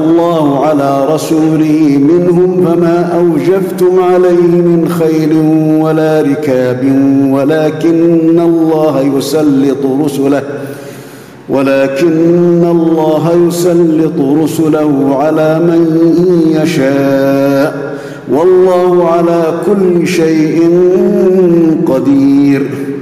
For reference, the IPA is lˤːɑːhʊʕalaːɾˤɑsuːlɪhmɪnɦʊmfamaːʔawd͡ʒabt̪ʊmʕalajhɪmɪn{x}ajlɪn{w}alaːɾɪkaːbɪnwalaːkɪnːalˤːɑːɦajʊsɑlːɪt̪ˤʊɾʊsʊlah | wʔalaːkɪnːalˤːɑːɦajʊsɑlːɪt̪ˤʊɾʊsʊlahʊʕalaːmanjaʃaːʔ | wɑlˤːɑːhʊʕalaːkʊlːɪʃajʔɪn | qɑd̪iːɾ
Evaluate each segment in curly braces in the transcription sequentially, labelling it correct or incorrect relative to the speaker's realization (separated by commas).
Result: correct, correct